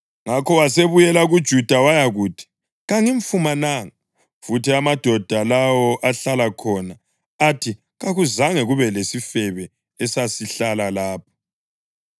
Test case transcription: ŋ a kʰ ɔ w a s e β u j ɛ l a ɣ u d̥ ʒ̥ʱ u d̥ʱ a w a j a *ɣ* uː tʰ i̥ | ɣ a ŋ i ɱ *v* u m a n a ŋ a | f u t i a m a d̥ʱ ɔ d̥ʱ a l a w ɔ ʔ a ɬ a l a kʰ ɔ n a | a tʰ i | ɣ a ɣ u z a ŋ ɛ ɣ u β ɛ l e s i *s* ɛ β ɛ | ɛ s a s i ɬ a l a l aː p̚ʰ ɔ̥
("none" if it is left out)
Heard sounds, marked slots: ɣ, f, f

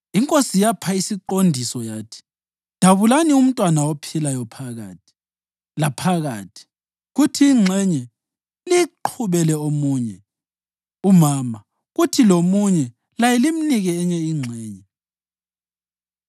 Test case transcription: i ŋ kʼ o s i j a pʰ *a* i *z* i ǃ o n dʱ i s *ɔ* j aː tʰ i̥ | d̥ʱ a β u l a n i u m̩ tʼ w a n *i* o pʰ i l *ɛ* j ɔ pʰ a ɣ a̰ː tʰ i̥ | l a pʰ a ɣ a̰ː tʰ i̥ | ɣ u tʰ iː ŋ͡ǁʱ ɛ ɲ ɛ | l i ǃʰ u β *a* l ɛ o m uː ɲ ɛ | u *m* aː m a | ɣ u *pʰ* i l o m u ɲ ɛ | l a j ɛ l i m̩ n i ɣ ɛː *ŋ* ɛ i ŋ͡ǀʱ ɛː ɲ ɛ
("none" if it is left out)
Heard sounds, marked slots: a, s, ɔ, a, a, ɛ, m, tʰ, ɲ

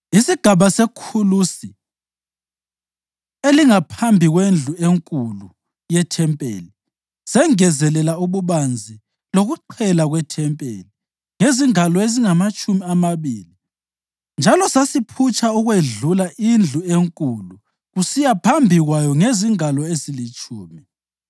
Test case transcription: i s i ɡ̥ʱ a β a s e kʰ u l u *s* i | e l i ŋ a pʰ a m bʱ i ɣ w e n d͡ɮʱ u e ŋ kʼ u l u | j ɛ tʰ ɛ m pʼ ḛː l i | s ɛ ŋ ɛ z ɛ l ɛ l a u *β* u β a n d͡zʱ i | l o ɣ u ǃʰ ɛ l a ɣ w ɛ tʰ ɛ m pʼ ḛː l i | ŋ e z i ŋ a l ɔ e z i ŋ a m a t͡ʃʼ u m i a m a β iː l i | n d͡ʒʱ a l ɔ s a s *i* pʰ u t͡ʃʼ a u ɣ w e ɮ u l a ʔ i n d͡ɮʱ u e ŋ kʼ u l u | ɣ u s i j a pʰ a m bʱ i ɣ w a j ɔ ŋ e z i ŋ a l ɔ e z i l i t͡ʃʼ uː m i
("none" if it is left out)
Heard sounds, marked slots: s, β, i

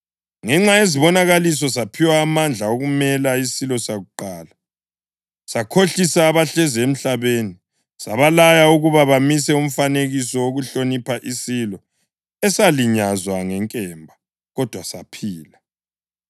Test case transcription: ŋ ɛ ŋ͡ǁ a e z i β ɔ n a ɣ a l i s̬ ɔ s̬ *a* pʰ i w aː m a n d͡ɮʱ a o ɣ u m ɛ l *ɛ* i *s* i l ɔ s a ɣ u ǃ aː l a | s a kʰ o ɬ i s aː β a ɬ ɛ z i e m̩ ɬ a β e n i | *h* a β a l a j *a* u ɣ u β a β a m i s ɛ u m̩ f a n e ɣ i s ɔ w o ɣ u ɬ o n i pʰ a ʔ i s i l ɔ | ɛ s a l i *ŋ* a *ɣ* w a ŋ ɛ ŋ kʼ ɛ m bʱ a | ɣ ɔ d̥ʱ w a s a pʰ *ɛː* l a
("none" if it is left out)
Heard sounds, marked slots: a, a, s, s, a, ɲ, z, iː

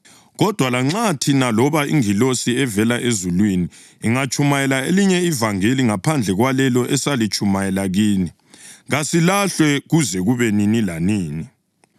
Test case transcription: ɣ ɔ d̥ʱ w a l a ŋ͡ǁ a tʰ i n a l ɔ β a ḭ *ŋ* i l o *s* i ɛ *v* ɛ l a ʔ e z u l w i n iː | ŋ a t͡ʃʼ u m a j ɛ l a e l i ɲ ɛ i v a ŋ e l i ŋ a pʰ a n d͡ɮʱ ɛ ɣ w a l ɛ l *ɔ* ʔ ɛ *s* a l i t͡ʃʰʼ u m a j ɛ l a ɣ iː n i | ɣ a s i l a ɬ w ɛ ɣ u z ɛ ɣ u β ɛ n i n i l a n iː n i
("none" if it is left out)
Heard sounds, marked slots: ŋ, s, v, ɔ, s

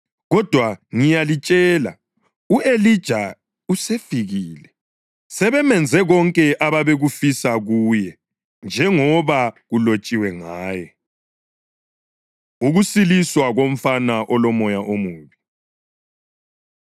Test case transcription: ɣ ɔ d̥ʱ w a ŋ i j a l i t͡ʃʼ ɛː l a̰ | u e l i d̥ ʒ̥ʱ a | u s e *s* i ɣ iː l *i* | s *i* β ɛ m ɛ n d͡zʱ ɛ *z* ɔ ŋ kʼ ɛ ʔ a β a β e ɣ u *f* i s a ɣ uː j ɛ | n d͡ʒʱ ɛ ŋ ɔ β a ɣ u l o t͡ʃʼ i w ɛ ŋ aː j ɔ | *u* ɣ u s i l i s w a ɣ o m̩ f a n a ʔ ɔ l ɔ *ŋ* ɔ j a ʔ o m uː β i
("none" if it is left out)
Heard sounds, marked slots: f, ɛ, ɛ, ɣ, f, u, m

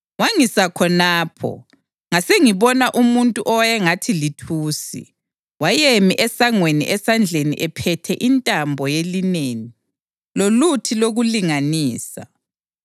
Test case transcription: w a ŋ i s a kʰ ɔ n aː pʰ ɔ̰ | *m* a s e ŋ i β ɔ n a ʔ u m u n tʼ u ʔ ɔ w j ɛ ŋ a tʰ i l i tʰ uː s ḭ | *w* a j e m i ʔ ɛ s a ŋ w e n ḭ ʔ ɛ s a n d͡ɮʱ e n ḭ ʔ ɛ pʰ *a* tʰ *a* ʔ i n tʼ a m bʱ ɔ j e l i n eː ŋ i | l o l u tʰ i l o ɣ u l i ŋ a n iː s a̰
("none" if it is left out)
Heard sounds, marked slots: ŋ, w, ɛ, ɛ

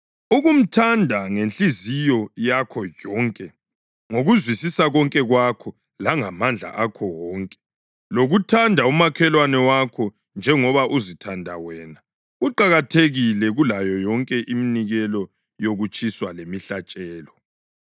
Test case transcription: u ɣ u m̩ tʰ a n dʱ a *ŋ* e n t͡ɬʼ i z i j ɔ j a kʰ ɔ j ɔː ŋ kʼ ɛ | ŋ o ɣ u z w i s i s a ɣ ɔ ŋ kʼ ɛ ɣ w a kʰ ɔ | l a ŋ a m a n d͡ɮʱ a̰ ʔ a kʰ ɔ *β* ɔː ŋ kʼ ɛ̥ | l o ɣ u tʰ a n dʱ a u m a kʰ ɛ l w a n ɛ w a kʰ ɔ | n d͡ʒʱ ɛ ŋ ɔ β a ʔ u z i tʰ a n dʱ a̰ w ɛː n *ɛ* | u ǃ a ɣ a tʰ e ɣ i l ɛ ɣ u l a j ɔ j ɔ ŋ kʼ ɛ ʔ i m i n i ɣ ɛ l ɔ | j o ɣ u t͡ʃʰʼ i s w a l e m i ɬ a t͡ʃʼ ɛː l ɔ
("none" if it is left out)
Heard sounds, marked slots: ŋ, w, a

